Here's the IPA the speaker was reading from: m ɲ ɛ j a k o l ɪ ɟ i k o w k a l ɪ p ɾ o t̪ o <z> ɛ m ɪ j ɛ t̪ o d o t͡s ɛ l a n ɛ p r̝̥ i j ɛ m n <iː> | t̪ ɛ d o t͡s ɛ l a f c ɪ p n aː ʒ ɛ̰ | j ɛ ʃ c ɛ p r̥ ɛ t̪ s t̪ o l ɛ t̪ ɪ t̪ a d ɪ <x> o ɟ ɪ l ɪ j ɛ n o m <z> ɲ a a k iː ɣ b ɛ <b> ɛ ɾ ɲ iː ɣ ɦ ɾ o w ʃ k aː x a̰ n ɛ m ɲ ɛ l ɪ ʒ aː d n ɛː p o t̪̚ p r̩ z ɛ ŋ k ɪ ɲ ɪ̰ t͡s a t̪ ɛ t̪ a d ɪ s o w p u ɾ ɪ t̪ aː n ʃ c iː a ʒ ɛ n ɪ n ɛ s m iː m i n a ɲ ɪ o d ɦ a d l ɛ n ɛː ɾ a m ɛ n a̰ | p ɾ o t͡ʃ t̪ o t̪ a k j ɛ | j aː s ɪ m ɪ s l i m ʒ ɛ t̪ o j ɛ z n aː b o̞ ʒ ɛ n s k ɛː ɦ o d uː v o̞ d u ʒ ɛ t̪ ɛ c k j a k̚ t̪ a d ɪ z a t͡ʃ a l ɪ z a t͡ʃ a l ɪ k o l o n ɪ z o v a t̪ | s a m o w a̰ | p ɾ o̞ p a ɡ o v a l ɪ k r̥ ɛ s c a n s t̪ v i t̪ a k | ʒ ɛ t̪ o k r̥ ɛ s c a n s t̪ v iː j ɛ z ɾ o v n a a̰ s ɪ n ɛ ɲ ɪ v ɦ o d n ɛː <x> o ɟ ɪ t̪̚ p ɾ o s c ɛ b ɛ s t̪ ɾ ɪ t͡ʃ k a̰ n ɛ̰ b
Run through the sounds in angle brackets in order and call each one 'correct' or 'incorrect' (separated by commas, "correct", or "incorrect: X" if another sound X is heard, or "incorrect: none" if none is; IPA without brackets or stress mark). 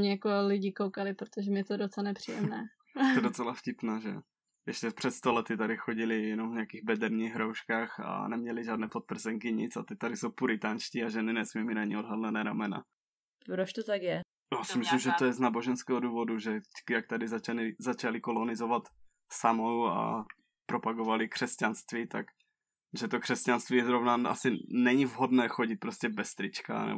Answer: incorrect: ʒ, incorrect: ɛː, correct, incorrect: v, incorrect: d, correct